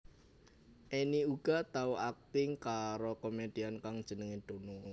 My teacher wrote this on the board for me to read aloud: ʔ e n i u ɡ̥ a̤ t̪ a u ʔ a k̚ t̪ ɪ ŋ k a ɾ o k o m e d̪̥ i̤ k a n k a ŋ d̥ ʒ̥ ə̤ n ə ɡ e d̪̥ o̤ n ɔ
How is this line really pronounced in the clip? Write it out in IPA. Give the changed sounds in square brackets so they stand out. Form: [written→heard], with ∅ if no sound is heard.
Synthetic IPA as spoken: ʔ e n i u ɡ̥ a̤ t̪ a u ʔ a k̚ t̪ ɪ ŋ k a ɾ o k o m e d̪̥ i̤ [k→∅] a n k a ŋ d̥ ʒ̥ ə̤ n ə [ɡ→ŋ] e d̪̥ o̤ n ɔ